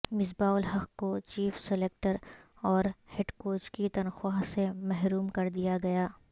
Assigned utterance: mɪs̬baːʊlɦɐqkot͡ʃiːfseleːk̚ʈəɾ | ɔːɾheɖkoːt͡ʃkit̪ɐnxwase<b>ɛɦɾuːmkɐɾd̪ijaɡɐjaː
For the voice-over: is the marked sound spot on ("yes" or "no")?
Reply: no